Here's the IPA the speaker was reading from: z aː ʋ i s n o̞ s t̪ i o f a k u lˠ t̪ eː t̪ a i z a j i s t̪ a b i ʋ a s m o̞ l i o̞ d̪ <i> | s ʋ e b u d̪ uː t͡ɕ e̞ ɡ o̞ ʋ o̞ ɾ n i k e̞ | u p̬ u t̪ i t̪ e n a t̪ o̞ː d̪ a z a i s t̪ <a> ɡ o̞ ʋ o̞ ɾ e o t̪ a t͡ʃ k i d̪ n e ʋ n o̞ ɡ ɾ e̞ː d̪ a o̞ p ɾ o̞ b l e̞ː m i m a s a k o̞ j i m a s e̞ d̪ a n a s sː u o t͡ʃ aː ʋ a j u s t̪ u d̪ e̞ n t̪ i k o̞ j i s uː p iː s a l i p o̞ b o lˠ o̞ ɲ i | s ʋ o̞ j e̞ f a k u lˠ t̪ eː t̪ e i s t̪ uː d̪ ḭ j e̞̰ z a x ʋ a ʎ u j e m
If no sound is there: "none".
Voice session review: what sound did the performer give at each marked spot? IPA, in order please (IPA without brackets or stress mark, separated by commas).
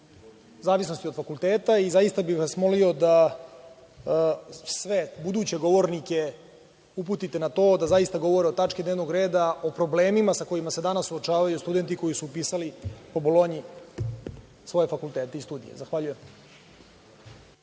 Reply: a, a